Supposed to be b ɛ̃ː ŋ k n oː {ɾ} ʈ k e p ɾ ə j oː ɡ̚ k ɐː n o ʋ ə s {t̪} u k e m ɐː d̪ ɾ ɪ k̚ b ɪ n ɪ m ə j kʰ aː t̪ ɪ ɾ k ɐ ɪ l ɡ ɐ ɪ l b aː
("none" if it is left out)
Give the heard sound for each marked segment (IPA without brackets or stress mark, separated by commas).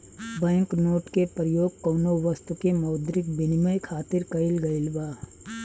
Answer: none, t̪